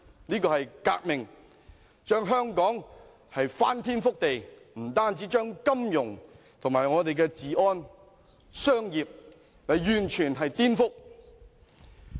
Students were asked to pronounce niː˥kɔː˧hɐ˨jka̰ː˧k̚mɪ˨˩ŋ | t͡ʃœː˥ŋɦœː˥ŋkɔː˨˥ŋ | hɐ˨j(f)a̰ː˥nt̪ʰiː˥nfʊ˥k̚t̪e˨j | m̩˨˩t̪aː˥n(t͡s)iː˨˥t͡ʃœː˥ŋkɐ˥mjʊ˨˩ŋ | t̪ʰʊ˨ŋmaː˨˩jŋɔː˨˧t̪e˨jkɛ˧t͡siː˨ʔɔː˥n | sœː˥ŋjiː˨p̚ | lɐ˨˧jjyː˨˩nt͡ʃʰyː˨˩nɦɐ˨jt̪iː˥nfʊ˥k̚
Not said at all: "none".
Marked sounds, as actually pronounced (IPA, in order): f, t͡s

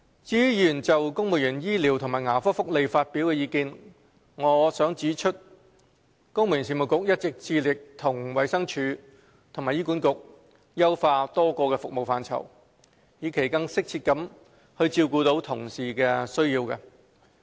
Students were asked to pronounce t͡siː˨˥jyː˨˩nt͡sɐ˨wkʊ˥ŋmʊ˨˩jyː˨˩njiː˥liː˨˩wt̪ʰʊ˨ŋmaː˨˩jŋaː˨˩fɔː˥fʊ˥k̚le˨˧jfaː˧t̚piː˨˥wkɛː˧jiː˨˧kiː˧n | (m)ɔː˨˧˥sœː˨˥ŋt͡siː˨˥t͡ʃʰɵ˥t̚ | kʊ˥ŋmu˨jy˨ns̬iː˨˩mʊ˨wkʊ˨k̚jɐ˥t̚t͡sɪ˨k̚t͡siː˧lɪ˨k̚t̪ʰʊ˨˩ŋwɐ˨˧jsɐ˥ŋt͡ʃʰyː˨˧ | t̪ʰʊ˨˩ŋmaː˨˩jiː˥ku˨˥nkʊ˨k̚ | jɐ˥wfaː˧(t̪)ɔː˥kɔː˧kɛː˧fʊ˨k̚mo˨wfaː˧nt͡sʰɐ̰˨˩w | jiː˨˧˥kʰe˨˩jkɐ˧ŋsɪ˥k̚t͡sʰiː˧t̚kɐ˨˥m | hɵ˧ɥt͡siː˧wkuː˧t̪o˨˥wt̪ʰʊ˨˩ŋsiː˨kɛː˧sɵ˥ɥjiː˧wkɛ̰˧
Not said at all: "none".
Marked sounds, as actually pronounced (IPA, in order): ŋ, t̪

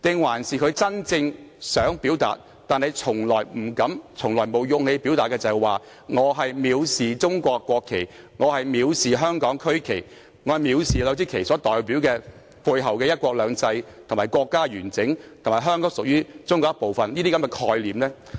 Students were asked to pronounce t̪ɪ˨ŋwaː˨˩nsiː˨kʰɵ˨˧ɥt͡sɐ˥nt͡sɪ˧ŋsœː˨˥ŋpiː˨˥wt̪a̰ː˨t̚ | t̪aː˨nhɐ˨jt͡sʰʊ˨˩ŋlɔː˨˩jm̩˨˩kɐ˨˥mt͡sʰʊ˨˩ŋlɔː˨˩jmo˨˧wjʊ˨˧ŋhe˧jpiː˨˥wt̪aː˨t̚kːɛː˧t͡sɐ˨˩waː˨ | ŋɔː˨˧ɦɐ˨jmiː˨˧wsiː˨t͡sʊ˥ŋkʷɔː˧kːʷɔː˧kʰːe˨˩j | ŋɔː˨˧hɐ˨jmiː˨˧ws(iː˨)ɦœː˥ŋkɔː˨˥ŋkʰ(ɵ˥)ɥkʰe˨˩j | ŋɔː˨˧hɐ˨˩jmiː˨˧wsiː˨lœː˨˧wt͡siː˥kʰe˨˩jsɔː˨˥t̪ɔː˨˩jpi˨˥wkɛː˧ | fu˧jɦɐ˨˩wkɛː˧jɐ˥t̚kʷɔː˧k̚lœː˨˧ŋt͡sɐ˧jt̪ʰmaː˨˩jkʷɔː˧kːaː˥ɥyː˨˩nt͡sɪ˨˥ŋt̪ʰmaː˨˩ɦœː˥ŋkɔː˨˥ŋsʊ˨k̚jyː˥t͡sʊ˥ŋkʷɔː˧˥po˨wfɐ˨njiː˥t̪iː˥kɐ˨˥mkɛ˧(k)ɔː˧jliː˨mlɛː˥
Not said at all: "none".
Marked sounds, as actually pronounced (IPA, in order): iː˨, ɵ˥, kʰ

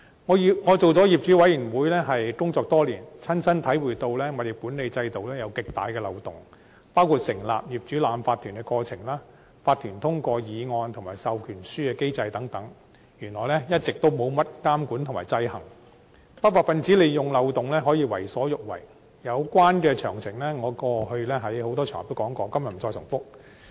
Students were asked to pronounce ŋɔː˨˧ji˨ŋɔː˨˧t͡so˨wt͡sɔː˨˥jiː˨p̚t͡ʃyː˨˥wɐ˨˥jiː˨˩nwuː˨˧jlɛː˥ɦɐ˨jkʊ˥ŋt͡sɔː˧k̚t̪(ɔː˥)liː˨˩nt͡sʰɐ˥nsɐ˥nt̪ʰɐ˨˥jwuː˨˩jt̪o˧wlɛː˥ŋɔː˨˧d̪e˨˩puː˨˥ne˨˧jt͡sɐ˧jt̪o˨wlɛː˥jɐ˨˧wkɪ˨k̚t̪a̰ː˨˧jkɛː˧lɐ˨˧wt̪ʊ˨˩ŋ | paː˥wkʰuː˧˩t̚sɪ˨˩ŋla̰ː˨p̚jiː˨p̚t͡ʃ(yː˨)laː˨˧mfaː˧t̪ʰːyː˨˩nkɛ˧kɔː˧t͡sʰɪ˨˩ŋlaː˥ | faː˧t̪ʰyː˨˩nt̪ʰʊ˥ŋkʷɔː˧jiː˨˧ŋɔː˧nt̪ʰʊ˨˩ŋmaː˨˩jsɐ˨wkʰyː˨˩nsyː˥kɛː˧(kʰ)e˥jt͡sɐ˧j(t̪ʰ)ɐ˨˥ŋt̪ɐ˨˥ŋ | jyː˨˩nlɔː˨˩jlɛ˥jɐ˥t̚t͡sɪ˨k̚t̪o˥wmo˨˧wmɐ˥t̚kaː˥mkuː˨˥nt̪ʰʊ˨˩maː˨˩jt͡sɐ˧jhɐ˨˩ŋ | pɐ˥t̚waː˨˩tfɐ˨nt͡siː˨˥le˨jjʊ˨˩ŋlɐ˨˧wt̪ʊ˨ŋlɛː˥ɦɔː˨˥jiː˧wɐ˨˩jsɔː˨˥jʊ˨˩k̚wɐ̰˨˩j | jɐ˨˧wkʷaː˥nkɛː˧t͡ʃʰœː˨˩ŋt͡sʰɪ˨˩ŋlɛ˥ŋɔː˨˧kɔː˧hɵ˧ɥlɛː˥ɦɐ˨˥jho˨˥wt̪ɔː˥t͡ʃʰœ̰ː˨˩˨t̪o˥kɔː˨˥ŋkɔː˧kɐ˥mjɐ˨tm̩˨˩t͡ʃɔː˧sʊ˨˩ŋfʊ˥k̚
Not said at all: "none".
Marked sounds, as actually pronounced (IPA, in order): ɔː˥, yː˨˥, k, t̪

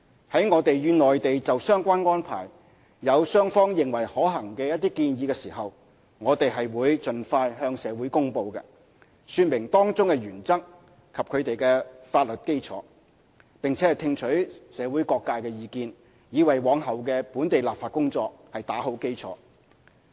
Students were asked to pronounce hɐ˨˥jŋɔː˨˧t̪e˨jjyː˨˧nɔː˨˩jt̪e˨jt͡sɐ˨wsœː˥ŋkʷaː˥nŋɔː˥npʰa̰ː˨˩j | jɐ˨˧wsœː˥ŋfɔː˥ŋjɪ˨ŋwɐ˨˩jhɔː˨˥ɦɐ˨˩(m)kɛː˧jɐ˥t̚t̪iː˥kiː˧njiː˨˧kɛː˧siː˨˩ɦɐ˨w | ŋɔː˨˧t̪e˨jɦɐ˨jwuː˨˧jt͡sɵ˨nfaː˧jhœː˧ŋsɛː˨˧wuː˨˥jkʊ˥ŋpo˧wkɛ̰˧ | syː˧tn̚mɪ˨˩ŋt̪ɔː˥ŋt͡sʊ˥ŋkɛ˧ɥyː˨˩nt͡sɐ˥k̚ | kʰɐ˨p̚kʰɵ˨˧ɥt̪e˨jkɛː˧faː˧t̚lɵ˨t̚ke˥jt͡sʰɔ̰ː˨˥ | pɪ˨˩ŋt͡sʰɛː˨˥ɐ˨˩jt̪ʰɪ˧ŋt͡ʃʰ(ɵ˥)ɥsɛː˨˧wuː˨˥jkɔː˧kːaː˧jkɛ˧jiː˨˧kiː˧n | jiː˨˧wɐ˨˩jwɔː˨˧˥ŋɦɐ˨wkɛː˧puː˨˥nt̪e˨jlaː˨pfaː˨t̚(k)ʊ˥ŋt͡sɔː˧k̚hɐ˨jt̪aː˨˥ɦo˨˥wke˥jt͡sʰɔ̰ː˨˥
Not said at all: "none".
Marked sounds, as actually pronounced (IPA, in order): ŋ, ɵ˨˥, k

